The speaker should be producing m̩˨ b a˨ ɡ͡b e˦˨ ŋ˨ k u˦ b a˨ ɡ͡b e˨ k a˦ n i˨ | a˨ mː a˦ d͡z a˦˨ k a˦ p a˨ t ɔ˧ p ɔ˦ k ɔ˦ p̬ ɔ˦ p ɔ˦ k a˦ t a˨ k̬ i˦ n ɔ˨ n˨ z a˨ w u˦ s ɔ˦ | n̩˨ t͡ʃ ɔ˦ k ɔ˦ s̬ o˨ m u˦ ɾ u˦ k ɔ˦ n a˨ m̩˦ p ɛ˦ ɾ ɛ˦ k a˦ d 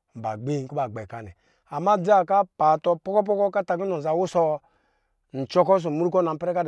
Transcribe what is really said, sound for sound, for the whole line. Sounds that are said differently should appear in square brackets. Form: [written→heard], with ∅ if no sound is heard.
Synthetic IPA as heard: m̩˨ b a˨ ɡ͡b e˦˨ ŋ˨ k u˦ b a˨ ɡ͡b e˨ k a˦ n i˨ | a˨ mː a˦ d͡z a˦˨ k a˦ p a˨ t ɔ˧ p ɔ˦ k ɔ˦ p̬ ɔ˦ [p→k] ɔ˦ k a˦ t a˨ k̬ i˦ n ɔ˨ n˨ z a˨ w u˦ s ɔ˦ | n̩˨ t͡ʃ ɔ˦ k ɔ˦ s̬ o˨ m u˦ ɾ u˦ k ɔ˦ n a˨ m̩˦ p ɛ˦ ɾ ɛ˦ k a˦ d